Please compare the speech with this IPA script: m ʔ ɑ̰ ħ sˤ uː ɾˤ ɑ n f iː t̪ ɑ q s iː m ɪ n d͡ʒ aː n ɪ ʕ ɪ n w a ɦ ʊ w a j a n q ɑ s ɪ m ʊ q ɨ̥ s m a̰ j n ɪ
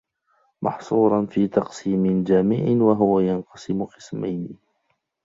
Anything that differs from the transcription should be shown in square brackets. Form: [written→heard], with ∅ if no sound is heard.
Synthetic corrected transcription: m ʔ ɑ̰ ħ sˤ uː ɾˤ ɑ n f iː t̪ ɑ q s iː m ɪ n d͡ʒ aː [n→m] ɪ ʕ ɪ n w a ɦ ʊ w a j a n q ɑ s ɪ m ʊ q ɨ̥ s m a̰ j n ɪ